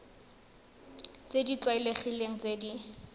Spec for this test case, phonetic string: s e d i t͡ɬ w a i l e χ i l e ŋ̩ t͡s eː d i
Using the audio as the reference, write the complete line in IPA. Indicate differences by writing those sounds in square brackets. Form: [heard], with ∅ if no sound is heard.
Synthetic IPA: [t͡s] e d i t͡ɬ w a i l e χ i l e ŋ̩ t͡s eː d i